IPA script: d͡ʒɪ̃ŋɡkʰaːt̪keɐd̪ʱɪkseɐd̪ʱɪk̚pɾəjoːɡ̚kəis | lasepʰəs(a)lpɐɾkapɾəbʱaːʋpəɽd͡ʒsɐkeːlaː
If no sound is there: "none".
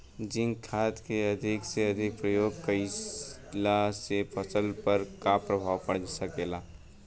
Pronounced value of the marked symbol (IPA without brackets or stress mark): ə